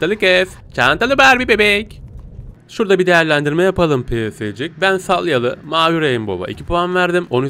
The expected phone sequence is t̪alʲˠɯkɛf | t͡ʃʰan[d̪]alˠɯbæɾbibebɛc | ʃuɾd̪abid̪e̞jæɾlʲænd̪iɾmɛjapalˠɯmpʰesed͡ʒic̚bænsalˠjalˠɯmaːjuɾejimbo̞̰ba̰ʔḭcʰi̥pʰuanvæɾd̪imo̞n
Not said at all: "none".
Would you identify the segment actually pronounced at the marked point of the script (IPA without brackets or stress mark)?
t̪